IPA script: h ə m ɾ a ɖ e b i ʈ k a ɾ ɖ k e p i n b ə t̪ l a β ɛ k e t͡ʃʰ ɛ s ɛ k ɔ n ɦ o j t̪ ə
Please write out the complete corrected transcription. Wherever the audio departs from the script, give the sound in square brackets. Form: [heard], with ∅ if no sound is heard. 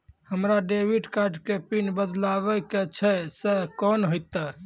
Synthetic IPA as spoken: h ə m ɾ a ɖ e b i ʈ k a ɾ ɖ k e p i n b ə [d̪] l a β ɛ k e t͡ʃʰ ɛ s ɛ k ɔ n ɦ o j t̪ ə